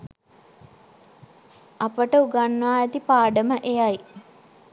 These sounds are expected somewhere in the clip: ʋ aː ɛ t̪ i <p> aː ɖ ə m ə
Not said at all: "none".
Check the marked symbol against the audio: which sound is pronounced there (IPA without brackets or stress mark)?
p